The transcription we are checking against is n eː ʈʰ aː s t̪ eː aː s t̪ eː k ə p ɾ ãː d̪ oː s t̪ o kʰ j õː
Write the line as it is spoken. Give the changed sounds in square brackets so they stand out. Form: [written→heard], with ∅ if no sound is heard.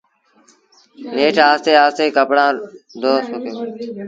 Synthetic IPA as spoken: n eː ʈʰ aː s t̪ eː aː s t̪ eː k ə p [ɾ→ɽ] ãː d̪ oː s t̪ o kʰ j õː